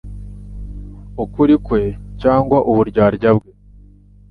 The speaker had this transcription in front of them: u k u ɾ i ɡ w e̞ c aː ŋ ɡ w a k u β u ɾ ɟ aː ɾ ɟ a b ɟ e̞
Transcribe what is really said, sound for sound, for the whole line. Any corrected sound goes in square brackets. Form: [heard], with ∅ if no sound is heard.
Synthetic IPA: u k u ɾ i [k] w e̞ c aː ŋ ɡ w a [ʔ] u β u ɾ ɟ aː ɾ ɟ a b [ɡ] e̞